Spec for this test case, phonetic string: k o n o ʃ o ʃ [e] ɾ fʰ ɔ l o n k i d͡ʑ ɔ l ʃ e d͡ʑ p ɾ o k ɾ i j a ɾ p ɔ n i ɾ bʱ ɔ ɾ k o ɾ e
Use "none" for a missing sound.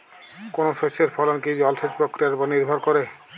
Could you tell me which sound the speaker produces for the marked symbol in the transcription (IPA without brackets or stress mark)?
e